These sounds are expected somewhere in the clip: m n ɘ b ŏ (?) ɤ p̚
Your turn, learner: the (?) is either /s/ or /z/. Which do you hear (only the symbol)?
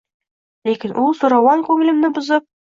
z